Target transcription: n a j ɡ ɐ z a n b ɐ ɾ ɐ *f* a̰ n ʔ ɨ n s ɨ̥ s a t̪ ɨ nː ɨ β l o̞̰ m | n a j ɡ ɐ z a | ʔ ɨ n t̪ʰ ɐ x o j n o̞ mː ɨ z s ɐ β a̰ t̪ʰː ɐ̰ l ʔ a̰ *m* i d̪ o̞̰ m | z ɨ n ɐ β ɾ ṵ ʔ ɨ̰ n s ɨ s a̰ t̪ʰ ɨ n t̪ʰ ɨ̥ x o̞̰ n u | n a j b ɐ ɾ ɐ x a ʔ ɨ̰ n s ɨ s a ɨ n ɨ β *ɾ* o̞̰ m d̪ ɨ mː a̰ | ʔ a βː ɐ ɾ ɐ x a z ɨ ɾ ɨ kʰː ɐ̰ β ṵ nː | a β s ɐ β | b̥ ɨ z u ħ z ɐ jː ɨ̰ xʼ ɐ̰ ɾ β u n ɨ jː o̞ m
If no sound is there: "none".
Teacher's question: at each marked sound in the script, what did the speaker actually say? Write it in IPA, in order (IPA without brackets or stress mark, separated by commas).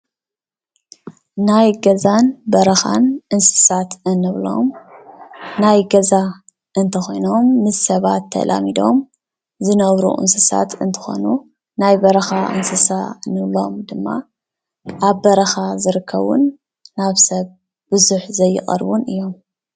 x, m, l